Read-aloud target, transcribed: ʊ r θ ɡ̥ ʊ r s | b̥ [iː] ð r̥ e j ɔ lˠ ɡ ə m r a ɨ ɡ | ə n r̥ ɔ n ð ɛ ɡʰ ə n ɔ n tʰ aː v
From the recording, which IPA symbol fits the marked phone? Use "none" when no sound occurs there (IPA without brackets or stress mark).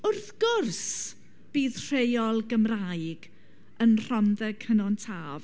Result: iː